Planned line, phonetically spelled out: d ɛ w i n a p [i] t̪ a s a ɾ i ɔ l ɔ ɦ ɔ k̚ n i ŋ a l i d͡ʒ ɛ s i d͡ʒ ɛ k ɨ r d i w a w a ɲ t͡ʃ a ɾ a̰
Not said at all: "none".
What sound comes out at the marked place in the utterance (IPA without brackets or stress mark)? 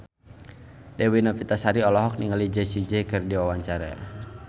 i